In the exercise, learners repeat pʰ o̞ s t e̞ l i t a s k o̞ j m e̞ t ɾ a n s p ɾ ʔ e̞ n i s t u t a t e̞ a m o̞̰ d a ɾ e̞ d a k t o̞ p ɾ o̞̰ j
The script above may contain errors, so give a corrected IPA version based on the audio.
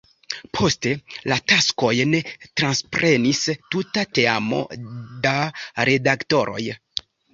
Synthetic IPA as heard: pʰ o̞ s t e̞ l a t a s k o̞ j n e̞ t ɾ a n s p ɾ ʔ e̞ n i s t u t a t e̞ a m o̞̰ d a ɾ e̞ d a k t o̞ ɾ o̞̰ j